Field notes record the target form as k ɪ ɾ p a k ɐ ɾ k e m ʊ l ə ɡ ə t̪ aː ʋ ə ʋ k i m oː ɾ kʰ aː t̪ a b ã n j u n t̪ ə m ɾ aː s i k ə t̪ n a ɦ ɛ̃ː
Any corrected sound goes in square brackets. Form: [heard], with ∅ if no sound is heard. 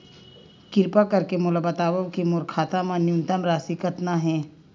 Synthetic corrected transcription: k ɪ ɾ p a k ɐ ɾ k e m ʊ l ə [b] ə t̪ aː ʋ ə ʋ k i m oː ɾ kʰ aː t̪ a [m] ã n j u n t̪ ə m ɾ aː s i k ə t̪ n a ɦ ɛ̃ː